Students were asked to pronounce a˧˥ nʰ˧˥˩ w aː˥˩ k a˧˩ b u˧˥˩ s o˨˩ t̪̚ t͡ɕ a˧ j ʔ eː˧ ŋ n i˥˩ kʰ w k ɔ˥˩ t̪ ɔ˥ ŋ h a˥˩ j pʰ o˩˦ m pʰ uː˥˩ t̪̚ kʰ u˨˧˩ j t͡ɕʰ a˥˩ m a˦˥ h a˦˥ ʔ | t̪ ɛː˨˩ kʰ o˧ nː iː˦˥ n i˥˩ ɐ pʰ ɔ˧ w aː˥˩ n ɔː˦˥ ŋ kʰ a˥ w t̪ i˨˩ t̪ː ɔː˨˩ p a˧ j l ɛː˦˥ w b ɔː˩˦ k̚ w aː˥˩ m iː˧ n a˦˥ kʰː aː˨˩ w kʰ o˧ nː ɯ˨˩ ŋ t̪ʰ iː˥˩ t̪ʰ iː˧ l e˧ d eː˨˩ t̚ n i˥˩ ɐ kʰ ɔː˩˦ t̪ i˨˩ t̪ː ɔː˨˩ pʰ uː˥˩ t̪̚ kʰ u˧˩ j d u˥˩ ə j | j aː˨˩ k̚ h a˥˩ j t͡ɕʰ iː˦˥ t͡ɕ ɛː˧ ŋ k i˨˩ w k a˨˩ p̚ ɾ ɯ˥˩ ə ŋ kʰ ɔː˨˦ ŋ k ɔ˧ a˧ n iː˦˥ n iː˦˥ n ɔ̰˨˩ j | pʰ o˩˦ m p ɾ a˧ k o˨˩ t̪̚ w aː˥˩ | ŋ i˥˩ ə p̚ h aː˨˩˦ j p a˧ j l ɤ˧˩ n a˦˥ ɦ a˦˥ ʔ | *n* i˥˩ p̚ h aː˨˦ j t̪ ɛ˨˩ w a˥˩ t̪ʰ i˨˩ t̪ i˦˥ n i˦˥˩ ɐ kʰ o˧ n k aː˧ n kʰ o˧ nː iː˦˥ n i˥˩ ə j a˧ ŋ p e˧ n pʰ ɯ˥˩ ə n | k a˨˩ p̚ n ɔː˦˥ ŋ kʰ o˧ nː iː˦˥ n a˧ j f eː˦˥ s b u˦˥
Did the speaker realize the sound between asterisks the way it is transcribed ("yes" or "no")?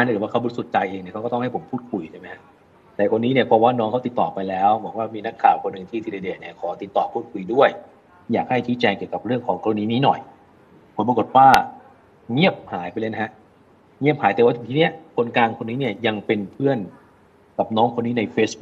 no